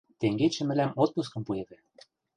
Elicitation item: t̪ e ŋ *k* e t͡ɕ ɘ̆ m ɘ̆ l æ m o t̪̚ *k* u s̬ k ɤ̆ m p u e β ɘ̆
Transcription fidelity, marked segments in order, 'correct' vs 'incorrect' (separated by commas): incorrect, incorrect